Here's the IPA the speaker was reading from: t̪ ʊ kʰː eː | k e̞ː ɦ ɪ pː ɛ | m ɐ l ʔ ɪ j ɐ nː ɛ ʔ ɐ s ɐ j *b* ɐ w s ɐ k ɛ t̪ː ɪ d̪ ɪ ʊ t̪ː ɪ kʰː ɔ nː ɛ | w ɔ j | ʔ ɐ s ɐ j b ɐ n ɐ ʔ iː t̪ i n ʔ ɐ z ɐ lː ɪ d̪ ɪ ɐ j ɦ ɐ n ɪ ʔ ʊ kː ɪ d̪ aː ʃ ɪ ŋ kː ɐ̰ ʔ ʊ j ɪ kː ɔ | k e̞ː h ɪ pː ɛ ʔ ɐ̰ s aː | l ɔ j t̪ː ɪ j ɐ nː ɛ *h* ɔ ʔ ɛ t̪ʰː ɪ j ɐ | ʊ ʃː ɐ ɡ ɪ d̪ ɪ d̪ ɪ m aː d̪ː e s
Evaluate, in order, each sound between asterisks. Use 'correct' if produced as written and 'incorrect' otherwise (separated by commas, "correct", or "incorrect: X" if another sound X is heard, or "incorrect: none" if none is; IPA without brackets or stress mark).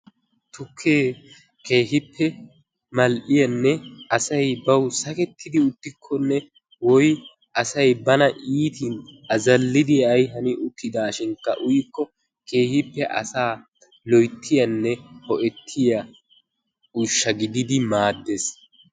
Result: correct, correct